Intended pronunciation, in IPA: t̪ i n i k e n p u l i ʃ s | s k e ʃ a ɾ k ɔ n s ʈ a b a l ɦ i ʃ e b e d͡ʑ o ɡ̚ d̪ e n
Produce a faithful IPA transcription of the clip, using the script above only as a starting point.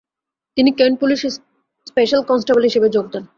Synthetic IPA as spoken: t̪ i n i k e n p u l i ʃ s | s p e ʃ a l k ɔ n s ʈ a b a l ɦ i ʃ e b e d͡ʑ o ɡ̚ d̪ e n

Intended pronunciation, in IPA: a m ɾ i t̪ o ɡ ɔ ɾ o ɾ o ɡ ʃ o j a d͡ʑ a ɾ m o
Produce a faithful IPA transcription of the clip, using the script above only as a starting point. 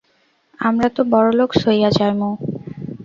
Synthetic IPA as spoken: a m ɾ a t̪ o b ɔ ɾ o l o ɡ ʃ o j a d͡ʑ a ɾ m o

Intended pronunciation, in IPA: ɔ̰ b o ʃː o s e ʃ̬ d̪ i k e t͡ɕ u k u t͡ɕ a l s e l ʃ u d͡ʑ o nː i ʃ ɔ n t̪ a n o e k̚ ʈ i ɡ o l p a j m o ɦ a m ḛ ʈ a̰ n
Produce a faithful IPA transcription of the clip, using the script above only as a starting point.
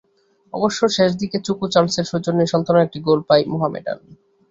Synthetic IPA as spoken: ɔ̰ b o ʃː o ʃ e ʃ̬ d̪ i k e t͡ɕ u k u t͡ɕ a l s e ɾ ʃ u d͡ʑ o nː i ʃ ɔ n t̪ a n o e k̚ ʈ i ɡ o l p a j m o ɦ a m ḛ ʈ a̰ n

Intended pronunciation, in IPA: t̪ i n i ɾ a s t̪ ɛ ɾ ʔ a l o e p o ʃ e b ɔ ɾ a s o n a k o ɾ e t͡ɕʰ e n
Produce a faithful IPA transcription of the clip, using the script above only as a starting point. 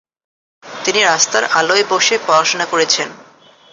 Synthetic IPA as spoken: t̪ i n i ɾ a s t̪ a ɾ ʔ a l o e b o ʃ e p ɔ ɾ a ʃ o n a k o ɾ e t͡ɕʰ e n

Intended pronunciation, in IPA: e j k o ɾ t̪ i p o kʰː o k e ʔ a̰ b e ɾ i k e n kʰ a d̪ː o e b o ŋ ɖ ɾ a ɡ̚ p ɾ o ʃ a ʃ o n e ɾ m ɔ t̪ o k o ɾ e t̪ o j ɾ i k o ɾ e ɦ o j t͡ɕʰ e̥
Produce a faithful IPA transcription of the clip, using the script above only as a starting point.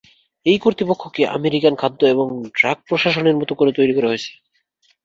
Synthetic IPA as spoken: e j k o ɾ t̪ i p o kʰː o k e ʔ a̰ m e ɾ i k a n kʰ a d̪ː o e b o ŋ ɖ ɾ a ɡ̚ p ɾ o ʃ a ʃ o n e ɾ m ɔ t̪ o k o ɾ e t̪ o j ɾ i k o ɾ e ɦ o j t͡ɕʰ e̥

